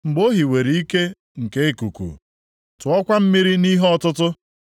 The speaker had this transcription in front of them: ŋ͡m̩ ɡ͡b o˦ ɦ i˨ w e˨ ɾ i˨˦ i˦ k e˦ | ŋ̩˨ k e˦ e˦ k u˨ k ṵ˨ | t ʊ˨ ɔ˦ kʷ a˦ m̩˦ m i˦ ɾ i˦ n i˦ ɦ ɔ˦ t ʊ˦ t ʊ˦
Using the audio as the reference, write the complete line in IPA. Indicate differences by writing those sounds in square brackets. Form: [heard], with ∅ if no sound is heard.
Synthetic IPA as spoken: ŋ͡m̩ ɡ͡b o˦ ɦ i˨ w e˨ ɾ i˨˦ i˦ k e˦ | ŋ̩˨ k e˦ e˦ k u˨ k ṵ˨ | t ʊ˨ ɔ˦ kʷ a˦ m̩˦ m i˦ ɾ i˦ n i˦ ɦ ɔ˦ t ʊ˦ t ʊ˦

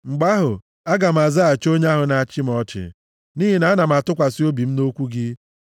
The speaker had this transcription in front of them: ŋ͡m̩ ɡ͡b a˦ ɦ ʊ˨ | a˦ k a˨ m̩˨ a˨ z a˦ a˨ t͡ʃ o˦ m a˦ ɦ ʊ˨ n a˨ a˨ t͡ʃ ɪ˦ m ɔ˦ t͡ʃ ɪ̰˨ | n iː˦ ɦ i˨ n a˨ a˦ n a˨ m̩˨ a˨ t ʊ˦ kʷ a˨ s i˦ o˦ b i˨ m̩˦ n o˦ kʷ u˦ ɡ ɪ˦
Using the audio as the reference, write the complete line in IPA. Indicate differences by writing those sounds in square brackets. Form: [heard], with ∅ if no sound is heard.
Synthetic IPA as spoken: ŋ͡m̩ ɡ͡b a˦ ɦ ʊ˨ | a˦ [ɡ] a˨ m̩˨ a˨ z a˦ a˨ t͡ʃ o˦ [ɲ] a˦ ɦ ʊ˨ n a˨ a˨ t͡ʃ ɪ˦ m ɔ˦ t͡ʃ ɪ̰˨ | n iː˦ ɦ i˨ n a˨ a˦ n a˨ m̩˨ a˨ t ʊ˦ kʷ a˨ s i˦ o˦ b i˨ m̩˦ n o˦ kʷ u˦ ɡ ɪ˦

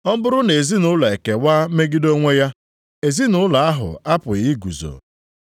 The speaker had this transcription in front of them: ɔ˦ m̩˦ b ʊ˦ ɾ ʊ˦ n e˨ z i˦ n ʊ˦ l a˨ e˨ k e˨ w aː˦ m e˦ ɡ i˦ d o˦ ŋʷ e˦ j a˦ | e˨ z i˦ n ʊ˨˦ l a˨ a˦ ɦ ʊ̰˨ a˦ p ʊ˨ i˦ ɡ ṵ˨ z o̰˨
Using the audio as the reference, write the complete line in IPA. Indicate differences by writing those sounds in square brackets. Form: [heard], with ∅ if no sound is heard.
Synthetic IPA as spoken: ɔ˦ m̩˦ b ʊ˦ ɾ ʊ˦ n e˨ z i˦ n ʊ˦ l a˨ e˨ k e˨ w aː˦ m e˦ ɡ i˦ d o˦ ŋʷ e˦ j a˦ | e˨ z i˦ n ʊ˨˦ l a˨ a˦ ɦ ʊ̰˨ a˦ p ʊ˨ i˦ ɡ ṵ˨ z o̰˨

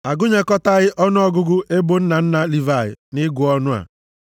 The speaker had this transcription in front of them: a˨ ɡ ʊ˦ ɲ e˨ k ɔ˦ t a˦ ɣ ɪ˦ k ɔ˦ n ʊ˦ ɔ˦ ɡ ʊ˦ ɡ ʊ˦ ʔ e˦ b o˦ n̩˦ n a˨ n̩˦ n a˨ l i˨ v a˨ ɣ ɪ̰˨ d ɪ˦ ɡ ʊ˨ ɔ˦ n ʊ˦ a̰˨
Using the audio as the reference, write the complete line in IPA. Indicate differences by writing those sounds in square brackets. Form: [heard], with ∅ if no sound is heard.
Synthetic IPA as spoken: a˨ ɡ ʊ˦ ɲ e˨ k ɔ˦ t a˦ ɣ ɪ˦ [ʔ] ɔ˦ n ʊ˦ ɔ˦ ɡ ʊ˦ ɡ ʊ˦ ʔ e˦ b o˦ n̩˦ n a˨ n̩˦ n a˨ l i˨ v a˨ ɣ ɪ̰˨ [n] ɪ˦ ɡ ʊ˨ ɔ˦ n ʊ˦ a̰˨

